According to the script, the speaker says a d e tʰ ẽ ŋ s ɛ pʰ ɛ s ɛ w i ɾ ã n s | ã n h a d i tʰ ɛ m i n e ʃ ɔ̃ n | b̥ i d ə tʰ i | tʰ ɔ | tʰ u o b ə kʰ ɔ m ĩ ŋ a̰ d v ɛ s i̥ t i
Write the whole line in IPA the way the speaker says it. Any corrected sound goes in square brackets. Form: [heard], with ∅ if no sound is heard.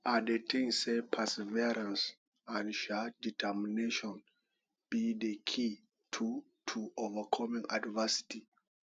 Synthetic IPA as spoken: a d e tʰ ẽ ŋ s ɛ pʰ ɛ s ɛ [v] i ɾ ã n s | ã n [ʃ] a d i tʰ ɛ m i n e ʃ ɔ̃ n | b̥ i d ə [kʰ] i | tʰ [u] | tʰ u o [v] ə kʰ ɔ m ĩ ŋ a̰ d v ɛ s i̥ t i